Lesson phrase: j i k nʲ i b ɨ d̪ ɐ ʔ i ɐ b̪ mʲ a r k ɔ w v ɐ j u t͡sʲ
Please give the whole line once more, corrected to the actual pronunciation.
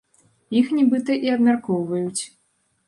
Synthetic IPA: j i x nʲ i b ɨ t̪ ɐ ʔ i ɐ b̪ mʲ a r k ɔ w v ɐ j u t͡sʲ